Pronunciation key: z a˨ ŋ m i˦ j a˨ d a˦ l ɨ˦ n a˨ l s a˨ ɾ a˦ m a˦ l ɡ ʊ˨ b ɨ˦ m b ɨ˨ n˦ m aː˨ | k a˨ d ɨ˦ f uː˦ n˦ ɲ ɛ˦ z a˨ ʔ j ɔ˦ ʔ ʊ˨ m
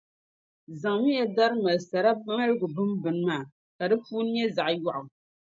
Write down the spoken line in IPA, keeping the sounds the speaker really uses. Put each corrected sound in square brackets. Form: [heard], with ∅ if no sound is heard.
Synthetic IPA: z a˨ ŋ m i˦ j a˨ d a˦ [ɾ] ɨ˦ [m] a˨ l s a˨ ɾ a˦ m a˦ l ɡ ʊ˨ b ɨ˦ m b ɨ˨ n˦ m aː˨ | k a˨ d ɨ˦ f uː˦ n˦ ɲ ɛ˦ z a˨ ʔ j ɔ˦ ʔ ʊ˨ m